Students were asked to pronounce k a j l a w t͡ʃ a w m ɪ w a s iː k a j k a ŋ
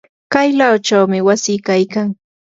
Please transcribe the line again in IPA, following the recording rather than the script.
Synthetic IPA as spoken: k a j l a w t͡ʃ a w m ɪ w a s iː k a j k a ŋ

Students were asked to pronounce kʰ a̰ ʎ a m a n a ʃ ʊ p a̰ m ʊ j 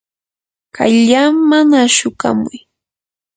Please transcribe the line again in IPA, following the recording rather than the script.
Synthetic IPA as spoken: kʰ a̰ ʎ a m a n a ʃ ʊ k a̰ m ʊ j

